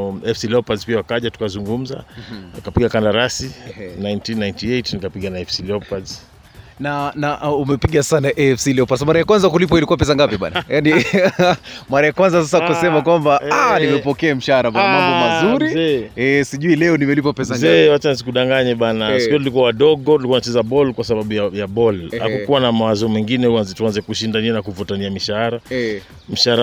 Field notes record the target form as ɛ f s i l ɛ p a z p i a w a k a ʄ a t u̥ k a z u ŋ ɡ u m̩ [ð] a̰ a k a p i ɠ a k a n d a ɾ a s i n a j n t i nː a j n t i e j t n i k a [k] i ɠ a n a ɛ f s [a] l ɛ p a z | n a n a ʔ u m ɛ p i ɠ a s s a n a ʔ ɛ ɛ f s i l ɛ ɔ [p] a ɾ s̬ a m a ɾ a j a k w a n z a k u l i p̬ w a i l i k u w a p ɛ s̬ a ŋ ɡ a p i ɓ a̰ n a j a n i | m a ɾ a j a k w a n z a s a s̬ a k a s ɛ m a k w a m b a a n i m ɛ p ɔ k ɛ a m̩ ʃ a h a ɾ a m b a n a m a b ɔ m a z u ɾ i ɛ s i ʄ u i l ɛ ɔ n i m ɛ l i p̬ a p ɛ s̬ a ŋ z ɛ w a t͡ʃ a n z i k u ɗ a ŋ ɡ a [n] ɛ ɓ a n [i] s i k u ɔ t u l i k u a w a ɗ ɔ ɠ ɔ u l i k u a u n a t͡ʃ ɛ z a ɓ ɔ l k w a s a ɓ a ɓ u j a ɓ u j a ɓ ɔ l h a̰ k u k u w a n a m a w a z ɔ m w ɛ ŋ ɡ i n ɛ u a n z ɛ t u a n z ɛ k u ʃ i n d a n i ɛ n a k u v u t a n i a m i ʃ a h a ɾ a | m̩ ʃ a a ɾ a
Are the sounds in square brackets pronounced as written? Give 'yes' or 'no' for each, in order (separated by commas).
no, no, no, yes, no, no